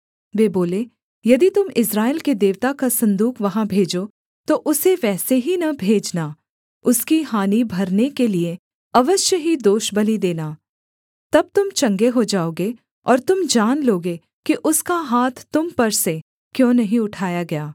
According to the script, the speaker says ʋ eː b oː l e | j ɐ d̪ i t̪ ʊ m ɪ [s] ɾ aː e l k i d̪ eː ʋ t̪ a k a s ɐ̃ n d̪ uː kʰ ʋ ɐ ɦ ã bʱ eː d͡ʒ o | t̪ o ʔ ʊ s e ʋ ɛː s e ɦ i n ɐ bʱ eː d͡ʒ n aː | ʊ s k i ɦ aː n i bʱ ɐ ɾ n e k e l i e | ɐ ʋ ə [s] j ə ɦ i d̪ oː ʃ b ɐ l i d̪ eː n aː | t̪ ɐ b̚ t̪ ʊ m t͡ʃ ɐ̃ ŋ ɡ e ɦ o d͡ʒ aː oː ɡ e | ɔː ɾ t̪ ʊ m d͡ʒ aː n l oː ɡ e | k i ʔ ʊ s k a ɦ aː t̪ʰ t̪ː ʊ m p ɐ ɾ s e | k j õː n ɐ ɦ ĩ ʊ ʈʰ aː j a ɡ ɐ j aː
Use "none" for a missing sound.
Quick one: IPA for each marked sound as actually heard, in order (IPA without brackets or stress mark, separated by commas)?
s, ʃ